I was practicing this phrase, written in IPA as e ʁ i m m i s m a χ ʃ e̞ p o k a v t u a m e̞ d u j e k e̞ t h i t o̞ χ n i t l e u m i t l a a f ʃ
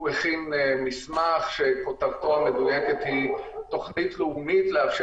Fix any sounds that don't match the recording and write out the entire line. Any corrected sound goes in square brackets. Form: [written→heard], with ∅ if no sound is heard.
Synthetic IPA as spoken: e [ʁ→χ] i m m i s m a χ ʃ e̞ [p→k] o [k→t] a v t [u→o] a m e̞ d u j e k e̞ t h i t o̞ χ n i t l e u m i t l [a→e] a f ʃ